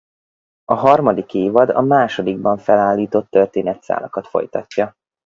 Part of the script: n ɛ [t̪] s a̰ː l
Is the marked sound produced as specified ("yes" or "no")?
yes